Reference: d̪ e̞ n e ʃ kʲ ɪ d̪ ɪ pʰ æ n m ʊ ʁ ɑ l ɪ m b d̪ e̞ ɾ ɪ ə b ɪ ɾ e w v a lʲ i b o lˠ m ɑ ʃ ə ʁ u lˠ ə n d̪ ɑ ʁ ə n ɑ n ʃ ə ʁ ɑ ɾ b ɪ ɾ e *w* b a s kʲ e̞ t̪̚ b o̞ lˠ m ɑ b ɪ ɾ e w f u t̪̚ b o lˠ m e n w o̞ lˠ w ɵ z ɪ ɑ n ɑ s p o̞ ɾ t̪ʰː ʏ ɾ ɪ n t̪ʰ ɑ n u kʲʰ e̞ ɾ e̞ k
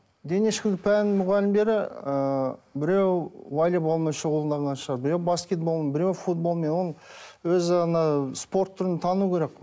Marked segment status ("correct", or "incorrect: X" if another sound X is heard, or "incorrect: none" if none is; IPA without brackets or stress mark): correct